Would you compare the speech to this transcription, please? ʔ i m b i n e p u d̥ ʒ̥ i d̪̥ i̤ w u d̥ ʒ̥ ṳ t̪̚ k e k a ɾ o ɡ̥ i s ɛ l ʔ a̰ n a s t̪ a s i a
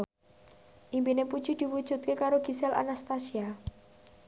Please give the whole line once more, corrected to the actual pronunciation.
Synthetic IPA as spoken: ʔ i m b i n e p u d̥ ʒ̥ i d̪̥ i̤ w u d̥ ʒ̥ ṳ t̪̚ k e k a ɾ o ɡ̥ i s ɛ l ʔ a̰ n a s t̪ a s i a